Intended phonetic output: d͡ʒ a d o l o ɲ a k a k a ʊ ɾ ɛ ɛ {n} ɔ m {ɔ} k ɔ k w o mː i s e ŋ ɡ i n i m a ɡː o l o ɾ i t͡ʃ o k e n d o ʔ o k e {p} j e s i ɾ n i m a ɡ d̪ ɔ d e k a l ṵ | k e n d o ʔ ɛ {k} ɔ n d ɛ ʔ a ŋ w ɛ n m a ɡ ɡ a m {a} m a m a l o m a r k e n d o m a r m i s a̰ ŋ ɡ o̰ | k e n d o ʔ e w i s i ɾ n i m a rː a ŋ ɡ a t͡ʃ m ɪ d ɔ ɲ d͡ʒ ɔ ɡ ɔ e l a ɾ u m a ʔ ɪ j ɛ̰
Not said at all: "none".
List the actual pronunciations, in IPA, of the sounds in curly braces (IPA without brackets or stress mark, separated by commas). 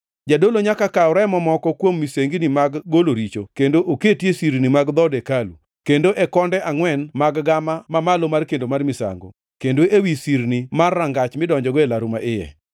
m, ɔ, t, k, a